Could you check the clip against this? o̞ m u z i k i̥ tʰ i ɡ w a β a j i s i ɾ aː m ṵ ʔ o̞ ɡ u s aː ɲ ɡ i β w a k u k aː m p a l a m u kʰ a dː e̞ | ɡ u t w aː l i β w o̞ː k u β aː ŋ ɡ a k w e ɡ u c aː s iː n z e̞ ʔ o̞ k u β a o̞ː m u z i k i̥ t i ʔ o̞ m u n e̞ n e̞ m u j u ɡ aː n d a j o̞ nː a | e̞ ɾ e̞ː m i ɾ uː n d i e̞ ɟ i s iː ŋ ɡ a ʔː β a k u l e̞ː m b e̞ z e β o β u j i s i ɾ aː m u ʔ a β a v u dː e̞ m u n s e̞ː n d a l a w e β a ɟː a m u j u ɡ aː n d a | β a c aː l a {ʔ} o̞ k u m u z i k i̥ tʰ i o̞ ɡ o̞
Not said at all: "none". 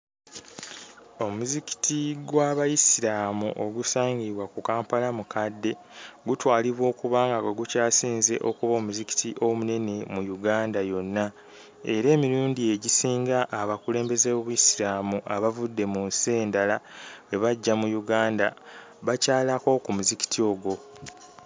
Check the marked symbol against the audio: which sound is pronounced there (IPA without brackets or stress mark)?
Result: k